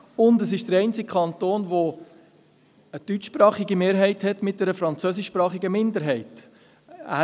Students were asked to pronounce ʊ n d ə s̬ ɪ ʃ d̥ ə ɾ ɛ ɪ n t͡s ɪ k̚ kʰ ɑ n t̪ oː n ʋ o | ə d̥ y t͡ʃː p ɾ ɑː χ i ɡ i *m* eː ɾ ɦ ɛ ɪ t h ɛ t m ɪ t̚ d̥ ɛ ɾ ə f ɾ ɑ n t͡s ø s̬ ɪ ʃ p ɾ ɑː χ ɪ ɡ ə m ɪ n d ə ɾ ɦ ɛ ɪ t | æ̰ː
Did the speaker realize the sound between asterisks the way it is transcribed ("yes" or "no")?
yes